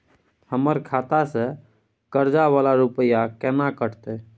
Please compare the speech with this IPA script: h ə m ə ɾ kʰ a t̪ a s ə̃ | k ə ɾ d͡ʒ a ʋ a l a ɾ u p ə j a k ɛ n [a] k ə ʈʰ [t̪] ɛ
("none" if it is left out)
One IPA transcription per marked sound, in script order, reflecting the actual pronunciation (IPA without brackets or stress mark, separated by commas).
a, t̪